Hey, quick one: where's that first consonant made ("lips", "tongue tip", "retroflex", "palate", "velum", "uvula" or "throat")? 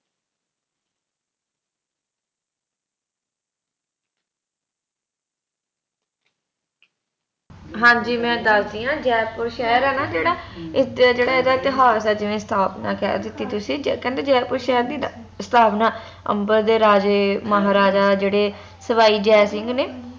throat